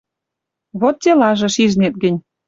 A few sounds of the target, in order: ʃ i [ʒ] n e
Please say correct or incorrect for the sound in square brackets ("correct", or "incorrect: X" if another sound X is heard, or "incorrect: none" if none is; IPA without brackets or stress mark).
correct